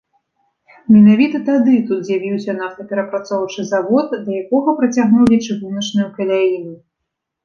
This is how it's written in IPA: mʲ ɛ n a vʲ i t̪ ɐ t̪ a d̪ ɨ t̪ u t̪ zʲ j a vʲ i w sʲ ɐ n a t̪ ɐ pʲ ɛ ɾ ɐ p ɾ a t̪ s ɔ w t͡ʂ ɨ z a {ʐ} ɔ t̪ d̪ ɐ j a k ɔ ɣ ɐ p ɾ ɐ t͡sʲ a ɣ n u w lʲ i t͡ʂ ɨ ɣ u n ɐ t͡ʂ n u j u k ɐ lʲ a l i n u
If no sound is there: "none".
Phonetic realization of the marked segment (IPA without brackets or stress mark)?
v